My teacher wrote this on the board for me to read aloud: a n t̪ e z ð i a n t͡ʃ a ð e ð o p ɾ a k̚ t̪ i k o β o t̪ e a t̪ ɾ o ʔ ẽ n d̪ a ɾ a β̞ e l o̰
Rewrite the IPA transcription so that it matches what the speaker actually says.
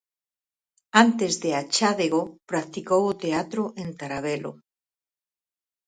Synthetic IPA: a n t̪ e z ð e a t͡ʃ a ð e ɣ o p ɾ a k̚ t̪ i k o w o t̪ e a t̪ ɾ o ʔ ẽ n t̪ a ɾ a β̞ e l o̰